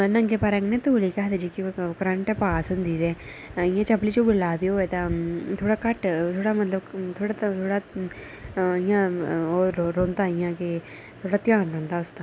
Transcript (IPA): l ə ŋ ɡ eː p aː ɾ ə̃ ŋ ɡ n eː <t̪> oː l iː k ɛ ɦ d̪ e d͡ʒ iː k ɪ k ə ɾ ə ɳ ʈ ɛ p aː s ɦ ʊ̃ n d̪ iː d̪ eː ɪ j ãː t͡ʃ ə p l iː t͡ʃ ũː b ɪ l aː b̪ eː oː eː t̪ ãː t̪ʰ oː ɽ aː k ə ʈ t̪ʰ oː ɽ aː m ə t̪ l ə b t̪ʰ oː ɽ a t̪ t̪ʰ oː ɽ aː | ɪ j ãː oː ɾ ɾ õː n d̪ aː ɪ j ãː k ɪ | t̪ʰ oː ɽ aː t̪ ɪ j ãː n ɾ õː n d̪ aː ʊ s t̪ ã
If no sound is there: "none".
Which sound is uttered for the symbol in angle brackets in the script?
t̪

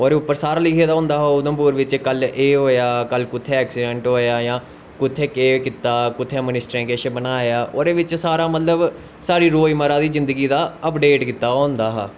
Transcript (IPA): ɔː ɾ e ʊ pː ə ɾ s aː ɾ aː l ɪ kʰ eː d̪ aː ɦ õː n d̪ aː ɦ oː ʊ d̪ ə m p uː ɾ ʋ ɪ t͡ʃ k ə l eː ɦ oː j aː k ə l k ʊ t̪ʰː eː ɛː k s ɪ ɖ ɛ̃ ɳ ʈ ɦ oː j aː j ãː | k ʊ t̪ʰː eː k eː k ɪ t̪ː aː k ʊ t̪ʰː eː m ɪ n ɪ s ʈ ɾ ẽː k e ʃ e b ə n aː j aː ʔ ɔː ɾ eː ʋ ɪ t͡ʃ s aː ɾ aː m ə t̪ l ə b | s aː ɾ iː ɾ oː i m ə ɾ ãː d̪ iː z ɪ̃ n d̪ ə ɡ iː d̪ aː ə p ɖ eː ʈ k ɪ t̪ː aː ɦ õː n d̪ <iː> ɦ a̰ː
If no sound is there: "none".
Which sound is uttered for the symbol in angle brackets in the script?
aː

